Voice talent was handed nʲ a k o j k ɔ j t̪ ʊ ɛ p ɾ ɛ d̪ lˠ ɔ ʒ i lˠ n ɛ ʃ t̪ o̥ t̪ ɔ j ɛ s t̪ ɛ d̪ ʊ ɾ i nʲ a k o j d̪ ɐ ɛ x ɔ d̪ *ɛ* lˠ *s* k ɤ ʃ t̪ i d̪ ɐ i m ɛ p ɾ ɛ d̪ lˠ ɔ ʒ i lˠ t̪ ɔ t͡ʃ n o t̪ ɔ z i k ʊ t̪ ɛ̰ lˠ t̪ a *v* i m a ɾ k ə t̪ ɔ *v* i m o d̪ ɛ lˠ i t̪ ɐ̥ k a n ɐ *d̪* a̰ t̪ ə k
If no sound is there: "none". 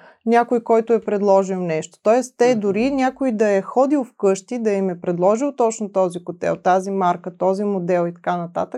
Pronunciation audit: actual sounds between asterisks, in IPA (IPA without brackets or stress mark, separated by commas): i, f, z, z, t̪